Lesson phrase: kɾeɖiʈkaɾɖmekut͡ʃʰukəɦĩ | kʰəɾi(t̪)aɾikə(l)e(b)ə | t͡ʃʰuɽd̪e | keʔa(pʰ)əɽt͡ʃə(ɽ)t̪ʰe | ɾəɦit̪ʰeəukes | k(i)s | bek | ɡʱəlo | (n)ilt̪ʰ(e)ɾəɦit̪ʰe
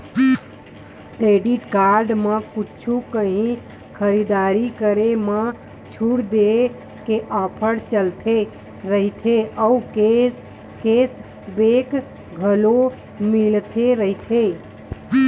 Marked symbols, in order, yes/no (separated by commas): no, no, no, yes, no, no, no, yes